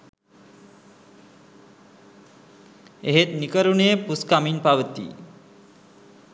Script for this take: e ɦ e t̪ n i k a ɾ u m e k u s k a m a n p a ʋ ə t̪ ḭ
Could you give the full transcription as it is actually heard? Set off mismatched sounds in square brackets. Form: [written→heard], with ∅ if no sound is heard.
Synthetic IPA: e ɦ e t̪ n i k [a→ə] ɾ u [m→n] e [k→p] u s k a m [a→i] n p a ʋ ə t̪ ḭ